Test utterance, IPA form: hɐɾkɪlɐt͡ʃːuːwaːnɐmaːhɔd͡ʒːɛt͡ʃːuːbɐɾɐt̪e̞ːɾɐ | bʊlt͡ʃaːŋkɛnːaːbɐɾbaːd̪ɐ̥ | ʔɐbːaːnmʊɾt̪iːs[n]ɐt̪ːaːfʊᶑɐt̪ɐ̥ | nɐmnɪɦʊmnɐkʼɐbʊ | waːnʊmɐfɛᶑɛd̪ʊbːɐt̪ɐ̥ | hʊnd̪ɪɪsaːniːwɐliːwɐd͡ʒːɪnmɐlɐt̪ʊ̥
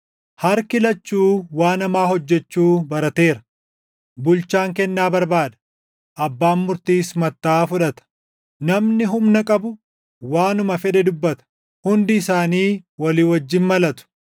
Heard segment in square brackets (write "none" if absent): m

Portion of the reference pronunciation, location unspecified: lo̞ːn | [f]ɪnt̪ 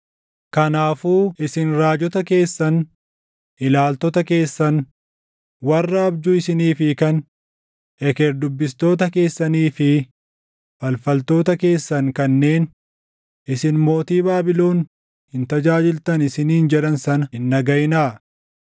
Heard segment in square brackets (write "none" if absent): h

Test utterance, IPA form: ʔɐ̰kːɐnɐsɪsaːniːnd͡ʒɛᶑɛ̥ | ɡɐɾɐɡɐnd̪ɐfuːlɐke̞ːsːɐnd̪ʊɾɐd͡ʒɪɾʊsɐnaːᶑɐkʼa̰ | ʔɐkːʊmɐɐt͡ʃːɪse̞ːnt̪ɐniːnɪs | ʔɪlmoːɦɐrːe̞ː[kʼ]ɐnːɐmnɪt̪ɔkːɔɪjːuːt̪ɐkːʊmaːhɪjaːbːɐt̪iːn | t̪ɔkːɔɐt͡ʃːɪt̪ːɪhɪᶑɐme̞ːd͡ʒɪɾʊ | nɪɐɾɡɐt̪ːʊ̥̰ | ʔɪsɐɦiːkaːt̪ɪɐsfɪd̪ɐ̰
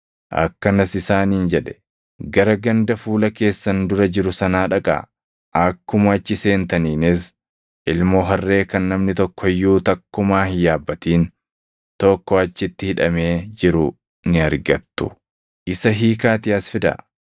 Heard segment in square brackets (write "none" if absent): k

